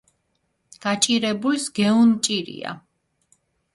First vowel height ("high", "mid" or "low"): low